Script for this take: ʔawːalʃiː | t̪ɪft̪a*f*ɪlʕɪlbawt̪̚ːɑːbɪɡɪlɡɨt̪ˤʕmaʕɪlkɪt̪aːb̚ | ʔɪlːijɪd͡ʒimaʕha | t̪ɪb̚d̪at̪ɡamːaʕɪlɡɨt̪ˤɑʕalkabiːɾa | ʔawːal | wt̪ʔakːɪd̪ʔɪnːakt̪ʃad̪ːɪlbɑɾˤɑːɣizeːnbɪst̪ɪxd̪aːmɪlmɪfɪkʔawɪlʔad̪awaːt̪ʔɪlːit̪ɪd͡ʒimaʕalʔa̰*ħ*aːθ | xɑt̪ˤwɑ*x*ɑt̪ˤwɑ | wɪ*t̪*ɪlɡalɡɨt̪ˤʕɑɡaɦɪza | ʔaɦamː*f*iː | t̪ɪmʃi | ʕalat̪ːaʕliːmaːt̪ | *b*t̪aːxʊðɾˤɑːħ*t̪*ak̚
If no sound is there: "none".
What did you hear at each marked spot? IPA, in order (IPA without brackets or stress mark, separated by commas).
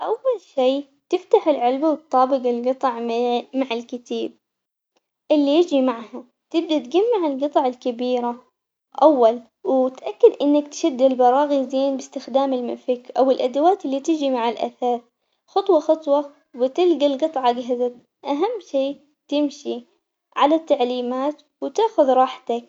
ħ, θ, x, t̪, ʃ, w, t̪